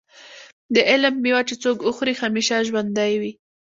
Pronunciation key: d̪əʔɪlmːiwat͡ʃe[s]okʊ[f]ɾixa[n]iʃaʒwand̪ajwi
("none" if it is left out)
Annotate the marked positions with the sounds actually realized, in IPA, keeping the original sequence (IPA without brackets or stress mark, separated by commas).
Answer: t͡s, x, m